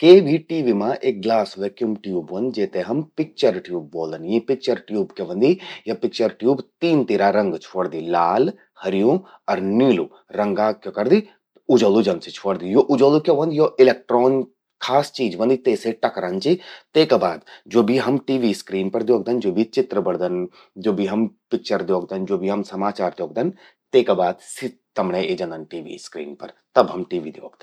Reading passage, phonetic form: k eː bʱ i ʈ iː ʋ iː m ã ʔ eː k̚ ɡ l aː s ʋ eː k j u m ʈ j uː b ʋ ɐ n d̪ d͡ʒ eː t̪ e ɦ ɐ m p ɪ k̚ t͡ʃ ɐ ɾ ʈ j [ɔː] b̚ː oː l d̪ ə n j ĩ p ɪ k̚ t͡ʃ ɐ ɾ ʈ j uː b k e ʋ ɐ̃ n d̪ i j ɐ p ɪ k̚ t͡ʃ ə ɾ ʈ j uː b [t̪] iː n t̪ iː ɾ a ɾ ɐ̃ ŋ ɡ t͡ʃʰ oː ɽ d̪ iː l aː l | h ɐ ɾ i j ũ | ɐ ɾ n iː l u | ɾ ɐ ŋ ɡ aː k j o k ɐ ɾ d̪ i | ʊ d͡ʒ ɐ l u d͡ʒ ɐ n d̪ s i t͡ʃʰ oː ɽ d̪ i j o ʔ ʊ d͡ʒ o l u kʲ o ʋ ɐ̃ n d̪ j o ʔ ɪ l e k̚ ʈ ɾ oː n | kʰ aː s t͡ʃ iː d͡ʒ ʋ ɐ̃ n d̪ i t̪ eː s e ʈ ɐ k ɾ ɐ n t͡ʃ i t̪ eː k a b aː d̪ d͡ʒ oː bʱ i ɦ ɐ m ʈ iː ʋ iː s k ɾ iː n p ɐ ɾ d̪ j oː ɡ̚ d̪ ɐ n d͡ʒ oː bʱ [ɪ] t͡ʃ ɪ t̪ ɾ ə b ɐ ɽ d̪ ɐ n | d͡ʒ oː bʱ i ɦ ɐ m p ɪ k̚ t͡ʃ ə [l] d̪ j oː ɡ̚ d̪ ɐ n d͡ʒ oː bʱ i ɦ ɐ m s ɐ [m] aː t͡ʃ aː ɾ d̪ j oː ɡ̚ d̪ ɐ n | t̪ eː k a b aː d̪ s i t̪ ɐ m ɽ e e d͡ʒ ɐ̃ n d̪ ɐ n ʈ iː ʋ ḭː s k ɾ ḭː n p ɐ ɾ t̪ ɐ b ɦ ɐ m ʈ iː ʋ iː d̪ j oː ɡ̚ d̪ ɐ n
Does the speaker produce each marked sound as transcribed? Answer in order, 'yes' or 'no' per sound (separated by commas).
no, yes, no, no, yes